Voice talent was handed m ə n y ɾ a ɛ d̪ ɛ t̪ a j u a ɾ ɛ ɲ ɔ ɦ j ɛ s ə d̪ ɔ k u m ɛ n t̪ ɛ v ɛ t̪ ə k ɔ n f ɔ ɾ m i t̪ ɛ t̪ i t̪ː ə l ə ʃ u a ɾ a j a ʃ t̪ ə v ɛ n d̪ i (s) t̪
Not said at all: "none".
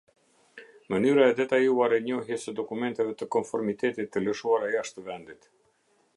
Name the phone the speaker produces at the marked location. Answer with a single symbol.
none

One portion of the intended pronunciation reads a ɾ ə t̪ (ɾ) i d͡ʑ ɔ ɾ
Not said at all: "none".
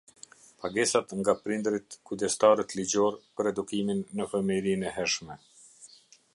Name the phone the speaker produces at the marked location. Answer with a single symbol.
l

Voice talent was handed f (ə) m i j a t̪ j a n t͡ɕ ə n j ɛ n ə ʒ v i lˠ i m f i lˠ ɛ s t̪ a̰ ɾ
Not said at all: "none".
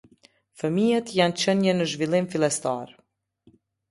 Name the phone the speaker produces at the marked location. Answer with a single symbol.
ə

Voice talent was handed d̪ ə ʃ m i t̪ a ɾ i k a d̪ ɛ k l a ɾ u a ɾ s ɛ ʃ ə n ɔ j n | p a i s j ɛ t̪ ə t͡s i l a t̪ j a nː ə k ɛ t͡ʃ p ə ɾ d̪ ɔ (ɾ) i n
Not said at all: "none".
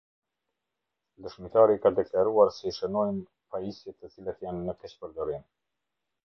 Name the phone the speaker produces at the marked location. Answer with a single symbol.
ɾ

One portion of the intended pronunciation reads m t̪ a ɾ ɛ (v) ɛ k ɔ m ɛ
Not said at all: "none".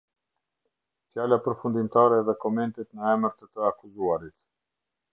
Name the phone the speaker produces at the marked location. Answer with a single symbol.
ð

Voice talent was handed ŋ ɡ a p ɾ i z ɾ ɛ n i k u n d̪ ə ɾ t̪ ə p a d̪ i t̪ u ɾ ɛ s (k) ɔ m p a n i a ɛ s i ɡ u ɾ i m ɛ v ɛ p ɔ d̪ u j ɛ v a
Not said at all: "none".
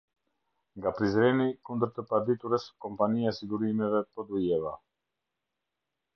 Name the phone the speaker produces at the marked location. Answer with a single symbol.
k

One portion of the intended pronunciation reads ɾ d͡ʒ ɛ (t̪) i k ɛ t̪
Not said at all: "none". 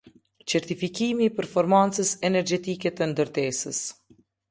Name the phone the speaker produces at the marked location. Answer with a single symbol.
t̪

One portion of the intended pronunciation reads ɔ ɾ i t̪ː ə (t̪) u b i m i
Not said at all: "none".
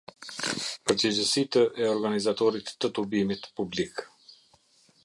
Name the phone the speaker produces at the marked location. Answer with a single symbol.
t̪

